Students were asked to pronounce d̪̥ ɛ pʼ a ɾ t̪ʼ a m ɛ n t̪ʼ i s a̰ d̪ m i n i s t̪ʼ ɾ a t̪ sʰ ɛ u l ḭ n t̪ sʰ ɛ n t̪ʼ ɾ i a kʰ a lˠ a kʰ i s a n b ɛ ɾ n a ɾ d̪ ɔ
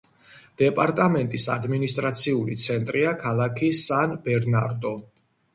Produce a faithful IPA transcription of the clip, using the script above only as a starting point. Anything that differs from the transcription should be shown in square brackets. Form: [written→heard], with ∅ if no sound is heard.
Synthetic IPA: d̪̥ ɛ pʼ a ɾ t̪ʼ a m ɛ n t̪ʼ i s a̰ d̪ m i n i s t̪ʼ ɾ a t̪ sʰ [ɛ→i] u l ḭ [n→∅] t̪ sʰ ɛ n t̪ʼ ɾ i a kʰ a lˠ a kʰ i s a n b ɛ ɾ n a ɾ d̪ ɔ

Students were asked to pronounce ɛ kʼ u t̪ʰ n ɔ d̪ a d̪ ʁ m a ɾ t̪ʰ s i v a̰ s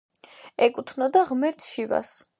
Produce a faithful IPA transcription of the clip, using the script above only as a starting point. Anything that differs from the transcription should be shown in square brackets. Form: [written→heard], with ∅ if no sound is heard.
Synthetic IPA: ɛ kʼ u t̪ʰ n ɔ d̪ a [d̪→∅] ʁ m [a→ɛ] ɾ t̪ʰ [s→ʃ] i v a̰ s

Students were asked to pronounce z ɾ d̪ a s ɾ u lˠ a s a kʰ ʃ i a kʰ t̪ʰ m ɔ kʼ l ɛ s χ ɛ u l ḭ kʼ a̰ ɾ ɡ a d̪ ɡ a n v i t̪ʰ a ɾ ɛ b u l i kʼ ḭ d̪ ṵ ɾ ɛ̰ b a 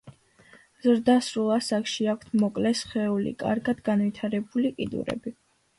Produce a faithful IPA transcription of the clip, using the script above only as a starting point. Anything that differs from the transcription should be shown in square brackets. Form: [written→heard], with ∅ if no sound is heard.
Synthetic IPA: z ɾ d̪ a s ɾ u lˠ a s a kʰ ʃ i a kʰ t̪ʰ m ɔ kʼ l ɛ s χ ɛ u l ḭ kʼ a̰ ɾ ɡ a d̪ ɡ a n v i t̪ʰ a ɾ ɛ b u l i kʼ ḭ d̪ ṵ ɾ ɛ̰ b [a→i]

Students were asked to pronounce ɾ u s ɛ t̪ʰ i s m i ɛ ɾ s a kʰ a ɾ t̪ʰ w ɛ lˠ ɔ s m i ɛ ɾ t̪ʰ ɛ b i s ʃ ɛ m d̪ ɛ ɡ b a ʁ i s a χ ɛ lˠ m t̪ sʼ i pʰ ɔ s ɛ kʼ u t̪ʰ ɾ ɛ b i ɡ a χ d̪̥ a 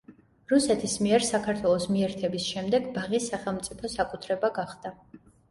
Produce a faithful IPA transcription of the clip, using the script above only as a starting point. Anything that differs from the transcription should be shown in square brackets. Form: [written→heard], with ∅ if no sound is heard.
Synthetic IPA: ɾ u s ɛ t̪ʰ i s m i ɛ ɾ s a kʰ a ɾ t̪ʰ w ɛ lˠ ɔ s m i ɛ ɾ t̪ʰ ɛ b i s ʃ ɛ m d̪ ɛ ɡ b a ʁ i s a χ ɛ lˠ m t̪ sʼ i pʰ ɔ s [ɛ→a] kʼ u t̪ʰ ɾ ɛ b [i→a] ɡ a χ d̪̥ a

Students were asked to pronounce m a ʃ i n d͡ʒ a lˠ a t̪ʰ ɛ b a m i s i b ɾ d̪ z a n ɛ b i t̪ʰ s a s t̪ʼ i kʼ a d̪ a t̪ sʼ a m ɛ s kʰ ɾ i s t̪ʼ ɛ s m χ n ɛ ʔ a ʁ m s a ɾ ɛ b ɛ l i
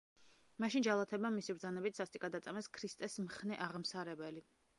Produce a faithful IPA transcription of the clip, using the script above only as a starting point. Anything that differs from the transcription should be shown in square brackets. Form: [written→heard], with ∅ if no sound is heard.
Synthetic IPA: m a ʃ i n d͡ʒ a lˠ a t̪ʰ ɛ b a m i s i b ɾ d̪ z a n ɛ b i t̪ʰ s a s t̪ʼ i kʼ a d̪ a t̪ sʼ a m ɛ s kʰ ɾ i s t̪ʼ ɛ s m χ n ɛ ʔ a ʁ m s a ɾ ɛ b ɛ l i

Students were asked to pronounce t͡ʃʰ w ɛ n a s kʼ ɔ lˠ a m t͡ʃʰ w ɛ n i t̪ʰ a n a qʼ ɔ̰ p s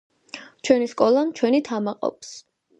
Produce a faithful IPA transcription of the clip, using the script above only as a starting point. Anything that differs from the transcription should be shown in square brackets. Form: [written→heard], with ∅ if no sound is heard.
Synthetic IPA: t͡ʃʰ w ɛ n [a→i] s kʼ ɔ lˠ a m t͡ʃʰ w ɛ n i t̪ʰ a [n→m] a qʼ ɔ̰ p s

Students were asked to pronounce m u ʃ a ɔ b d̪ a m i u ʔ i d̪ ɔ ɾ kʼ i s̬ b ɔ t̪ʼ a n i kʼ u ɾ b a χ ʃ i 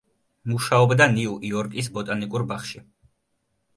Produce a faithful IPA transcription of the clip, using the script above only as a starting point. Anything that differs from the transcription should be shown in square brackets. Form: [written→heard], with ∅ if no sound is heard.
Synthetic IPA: m u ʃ a ɔ b d̪ a [m→n] i u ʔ i [d̪→∅] ɔ ɾ kʼ i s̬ b ɔ t̪ʼ a n i kʼ u ɾ b a χ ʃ i

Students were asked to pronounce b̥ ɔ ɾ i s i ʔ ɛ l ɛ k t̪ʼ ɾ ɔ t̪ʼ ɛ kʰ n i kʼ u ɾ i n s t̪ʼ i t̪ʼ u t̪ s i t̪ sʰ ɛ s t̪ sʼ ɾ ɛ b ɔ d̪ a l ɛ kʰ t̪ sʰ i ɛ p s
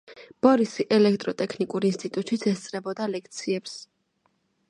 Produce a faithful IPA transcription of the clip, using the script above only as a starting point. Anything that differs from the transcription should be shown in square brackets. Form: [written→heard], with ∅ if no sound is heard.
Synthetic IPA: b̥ ɔ ɾ i s i ʔ ɛ l ɛ k t̪ʼ ɾ ɔ t̪ʼ ɛ kʰ n i kʼ u ɾ i n s t̪ʼ i t̪ʼ u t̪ [s→ʃ] i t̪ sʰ ɛ s t̪ sʼ ɾ ɛ b ɔ d̪ a l ɛ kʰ t̪ sʰ i ɛ p s

